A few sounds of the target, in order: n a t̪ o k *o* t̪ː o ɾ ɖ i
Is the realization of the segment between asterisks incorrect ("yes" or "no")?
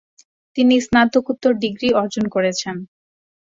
yes